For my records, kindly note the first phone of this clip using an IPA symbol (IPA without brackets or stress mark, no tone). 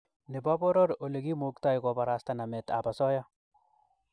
n